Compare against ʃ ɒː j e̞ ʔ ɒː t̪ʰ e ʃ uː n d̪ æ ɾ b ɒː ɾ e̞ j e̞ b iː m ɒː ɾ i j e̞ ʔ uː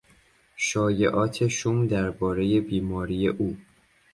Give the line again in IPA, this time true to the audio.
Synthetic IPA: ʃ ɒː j e̞ ʔ ɒː t̪ʰ e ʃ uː m d̪ æ ɾ b ɒː ɾ e̞ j e̞ b iː m ɒː ɾ i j e̞ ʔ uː